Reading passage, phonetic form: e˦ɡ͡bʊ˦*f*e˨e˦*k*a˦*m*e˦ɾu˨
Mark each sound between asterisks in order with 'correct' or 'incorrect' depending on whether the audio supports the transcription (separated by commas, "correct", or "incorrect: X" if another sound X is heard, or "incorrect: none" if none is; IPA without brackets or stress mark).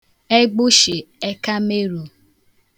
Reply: incorrect: ʃ, correct, correct